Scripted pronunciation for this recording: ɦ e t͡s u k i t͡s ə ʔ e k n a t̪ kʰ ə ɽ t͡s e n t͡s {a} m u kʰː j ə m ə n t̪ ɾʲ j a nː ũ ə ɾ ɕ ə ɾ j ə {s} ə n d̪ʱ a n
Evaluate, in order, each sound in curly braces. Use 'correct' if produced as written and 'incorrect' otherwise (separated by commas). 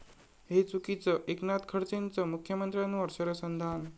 incorrect, correct